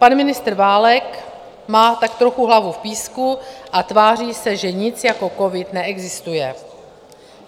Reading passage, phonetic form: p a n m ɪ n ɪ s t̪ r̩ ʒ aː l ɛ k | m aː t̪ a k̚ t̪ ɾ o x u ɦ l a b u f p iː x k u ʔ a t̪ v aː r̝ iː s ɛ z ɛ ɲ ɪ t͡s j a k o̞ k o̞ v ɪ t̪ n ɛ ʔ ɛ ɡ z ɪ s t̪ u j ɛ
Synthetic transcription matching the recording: p a n m ɪ n ɪ s t̪ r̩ v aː l ɛ k | m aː t̪ a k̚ t̪ ɾ o x u ɦ l a v u f p iː s k u ʔ a t̪ v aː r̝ iː s ɛ ʒ ɛ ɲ ɪ t͡s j a k o̞ k o̞ v ɪ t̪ n ɛ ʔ ɛ ɡ z ɪ s t̪ u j ɛ